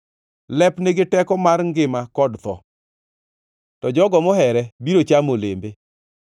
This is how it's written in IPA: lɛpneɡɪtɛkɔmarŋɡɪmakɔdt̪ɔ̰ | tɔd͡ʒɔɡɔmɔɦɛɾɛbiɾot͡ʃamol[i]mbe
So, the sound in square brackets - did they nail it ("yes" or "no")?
no